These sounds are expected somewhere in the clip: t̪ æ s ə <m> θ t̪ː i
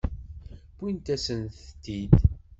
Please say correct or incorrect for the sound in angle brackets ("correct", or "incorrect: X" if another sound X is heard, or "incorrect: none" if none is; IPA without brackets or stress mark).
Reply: incorrect: n